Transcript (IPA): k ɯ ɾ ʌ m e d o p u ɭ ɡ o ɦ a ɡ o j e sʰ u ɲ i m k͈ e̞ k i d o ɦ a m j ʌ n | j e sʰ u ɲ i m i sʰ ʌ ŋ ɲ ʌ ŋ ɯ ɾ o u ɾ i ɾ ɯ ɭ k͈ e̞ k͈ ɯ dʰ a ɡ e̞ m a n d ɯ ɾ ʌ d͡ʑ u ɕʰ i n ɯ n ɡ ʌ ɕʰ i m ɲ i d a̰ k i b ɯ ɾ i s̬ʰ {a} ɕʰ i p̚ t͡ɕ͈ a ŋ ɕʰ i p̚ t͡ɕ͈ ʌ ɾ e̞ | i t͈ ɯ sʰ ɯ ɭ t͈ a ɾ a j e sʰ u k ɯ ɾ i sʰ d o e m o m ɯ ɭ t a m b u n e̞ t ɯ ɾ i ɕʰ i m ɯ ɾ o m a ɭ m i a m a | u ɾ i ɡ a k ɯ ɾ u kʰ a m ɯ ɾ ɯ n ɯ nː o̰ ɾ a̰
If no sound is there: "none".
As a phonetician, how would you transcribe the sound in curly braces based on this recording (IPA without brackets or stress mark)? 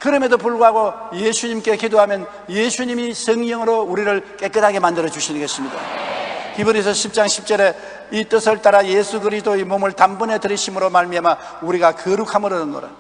ʌ